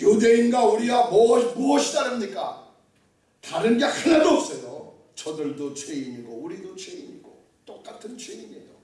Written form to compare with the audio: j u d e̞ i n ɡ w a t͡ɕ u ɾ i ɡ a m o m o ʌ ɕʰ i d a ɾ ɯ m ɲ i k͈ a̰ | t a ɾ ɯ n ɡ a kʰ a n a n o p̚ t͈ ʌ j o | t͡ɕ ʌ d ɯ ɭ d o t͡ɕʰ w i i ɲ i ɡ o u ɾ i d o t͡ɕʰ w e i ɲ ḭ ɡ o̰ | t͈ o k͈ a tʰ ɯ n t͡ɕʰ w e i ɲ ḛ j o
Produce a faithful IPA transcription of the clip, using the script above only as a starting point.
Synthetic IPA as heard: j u d e̞ i n ɡ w a u ɾ i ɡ a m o m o ʌ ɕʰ i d a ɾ ɯ m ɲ i k͈ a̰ | t a ɾ ɯ n ɡ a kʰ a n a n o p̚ s͈ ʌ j o | t͡ɕ ʌ d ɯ ɭ d o t͡ɕʰ w e i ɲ i ɡ o u ɾ i d o t͡ɕʰ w e i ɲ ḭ ɡ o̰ | t͈ o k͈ a tʰ ɯ n t͡ɕʰ w e i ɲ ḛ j o

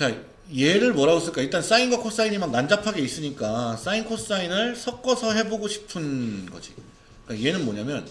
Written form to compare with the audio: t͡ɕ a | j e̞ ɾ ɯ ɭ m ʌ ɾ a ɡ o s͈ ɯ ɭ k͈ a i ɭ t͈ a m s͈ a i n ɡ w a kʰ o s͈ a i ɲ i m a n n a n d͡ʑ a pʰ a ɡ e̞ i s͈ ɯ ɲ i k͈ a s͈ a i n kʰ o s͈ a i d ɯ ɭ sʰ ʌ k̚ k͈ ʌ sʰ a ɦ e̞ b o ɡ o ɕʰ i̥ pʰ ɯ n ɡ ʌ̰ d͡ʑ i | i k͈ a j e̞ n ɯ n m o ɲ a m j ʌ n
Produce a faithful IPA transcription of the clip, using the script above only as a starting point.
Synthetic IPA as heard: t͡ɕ a | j e̞ ɾ ɯ ɭ m ʌ ɾ a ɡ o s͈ ɯ ɭ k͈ a i ɭ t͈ a n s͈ a i n ɡ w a kʰ o s͈ a i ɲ i m a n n a n d͡ʑ a pʰ a ɡ e̞ i s͈ ɯ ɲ i k͈ a s͈ a i n kʰ o s͈ a i n ɯ ɭ sʰ ʌ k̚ k͈ ʌ sʰ ʌ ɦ e̞ b o ɡ o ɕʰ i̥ pʰ ɯ n ɡ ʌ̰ d͡ʑ i | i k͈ a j e̞ n ɯ n m o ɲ a m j ʌ n

